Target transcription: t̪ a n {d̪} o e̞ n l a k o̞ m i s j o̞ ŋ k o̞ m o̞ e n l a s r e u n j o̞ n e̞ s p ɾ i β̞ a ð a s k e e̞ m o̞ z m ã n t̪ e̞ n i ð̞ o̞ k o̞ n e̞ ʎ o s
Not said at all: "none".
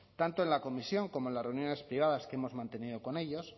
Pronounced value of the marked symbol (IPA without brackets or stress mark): t̪